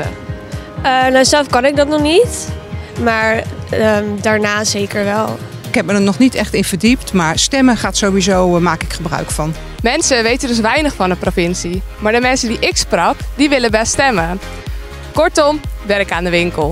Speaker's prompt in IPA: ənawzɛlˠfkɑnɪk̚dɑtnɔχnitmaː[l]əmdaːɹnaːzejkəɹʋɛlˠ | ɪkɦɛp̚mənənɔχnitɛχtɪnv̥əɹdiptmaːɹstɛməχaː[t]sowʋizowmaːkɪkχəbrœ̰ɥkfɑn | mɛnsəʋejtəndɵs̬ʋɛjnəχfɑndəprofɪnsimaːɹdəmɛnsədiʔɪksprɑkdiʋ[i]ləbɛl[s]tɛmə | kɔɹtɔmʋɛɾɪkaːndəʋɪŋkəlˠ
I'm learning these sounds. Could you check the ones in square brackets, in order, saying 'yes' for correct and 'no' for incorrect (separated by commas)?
no, yes, no, yes